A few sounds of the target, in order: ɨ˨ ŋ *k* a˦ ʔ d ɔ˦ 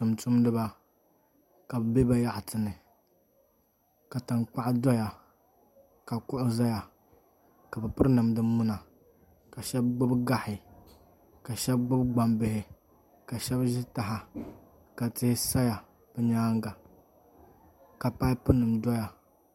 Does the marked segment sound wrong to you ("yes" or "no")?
yes